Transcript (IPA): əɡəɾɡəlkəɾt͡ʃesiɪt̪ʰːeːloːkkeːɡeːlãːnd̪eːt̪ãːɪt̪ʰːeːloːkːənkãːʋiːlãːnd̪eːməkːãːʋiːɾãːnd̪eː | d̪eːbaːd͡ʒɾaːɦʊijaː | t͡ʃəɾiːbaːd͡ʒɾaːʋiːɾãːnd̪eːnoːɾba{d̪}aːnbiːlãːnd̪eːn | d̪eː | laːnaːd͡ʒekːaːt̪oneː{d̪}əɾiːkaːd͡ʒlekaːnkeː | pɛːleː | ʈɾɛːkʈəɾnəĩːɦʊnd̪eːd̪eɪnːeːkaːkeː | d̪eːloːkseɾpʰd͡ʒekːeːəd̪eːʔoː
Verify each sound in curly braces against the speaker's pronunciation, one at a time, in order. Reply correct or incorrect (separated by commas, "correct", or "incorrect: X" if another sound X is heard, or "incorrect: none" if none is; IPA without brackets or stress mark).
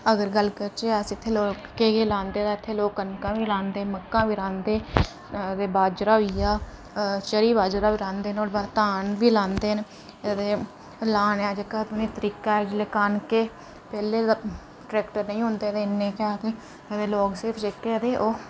incorrect: t̪, incorrect: t̪